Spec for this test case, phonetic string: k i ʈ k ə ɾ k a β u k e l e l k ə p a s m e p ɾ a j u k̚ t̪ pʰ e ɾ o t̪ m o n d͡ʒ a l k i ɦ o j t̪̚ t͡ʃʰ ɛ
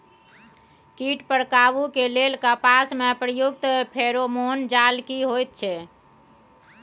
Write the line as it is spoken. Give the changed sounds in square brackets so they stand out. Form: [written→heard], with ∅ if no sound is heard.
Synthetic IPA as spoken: k i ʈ [k→p] ə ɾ k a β u k e l e l k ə p a s m e p ɾ [a→ə] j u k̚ t̪ pʰ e ɾ o [t̪→∅] m o n d͡ʒ a l k i ɦ o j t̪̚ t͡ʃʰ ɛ